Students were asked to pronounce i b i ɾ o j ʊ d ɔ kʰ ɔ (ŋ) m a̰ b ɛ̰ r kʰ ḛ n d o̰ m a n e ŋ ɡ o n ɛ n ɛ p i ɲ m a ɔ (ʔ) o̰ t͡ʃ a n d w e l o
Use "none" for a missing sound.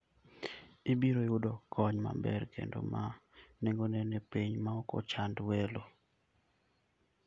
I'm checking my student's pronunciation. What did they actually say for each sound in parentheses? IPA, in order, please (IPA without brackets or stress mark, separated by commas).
ɲ, k